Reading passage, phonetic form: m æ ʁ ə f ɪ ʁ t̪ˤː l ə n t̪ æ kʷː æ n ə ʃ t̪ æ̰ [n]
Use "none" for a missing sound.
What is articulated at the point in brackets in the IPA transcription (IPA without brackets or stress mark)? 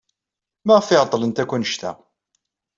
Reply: none